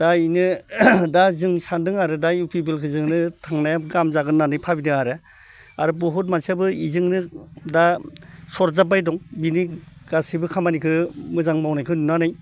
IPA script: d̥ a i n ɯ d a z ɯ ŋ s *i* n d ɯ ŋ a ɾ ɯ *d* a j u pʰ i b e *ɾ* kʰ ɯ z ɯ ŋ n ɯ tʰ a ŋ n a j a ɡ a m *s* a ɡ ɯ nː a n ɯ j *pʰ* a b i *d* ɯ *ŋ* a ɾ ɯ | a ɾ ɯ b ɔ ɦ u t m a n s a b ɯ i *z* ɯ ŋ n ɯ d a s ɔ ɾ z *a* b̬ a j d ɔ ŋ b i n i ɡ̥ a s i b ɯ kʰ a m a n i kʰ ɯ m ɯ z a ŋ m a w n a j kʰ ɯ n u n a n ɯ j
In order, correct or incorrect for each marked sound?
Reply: incorrect, correct, incorrect, incorrect, correct, correct, correct, correct, correct

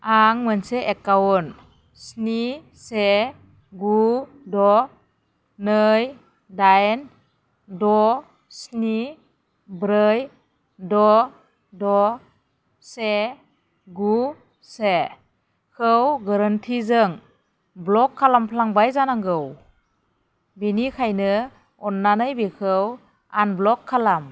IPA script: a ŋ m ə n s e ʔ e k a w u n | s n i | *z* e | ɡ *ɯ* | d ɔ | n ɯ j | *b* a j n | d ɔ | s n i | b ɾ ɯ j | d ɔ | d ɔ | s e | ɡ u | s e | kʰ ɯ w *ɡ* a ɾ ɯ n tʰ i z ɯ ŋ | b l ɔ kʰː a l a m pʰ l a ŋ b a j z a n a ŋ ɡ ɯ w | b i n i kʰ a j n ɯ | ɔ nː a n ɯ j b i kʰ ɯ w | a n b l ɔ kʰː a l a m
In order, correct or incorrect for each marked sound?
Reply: incorrect, incorrect, incorrect, correct

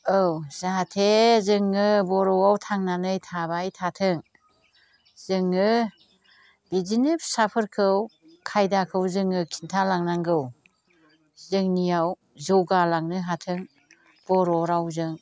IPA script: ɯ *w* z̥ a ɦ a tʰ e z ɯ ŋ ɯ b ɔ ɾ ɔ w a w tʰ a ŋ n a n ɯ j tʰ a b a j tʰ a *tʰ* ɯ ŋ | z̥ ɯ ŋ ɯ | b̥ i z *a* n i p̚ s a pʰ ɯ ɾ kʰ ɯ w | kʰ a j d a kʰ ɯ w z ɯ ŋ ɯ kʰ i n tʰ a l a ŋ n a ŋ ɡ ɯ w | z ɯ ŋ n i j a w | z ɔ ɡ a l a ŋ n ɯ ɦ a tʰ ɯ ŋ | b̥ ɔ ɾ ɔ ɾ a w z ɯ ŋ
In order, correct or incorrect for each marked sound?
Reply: correct, correct, incorrect

